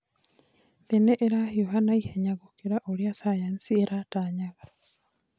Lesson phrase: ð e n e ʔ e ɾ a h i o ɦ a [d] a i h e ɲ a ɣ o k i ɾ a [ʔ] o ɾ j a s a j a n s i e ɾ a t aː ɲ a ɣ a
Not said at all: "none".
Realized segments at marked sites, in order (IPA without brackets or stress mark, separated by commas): n, ʔ